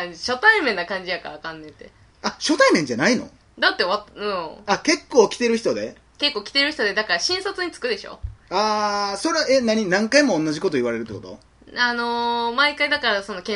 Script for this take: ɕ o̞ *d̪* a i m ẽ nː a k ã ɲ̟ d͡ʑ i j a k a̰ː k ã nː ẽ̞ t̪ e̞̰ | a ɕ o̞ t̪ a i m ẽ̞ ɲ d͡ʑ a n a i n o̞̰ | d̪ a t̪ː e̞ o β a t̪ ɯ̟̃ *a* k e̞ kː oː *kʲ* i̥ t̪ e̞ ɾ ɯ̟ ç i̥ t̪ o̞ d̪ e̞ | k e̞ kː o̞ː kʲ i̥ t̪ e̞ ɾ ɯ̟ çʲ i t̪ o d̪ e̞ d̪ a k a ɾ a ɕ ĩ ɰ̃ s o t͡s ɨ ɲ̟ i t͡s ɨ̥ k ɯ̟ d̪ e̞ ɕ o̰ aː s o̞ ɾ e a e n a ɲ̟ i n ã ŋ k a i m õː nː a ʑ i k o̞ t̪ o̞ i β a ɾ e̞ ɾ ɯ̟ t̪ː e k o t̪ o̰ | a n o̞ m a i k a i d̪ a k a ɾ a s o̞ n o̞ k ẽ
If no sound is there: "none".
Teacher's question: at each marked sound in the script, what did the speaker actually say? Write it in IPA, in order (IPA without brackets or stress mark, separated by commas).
t̪, a, kʲ